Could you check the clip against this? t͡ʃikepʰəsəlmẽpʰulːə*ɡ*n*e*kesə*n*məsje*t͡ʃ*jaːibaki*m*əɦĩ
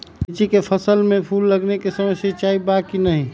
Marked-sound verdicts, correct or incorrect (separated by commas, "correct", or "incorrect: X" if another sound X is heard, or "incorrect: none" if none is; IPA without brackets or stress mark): correct, correct, incorrect: none, correct, incorrect: n